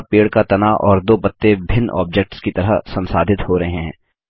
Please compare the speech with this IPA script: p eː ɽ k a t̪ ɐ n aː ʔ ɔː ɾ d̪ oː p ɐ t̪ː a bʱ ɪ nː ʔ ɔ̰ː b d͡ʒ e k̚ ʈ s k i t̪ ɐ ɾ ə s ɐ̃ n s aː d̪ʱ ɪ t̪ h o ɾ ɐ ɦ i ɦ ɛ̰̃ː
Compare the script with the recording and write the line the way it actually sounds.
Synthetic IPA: p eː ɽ k a t̪ ɐ n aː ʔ ɔː ɾ d̪ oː p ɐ t̪ː e bʱ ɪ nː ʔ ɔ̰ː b d͡ʒ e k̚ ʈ s k i t̪ ɐ ɾ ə s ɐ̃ n s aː d̪ʱ ɪ t̪ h o ɾ ɐ ɦ e ɦ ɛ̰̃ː